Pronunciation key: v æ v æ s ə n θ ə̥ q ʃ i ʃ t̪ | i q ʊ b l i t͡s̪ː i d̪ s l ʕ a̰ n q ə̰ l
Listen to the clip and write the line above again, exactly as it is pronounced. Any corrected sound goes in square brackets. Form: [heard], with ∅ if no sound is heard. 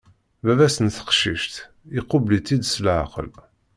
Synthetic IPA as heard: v æ v æ s ə n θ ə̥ q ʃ i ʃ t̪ | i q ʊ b l i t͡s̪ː i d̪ s l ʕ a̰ [∅] q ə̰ l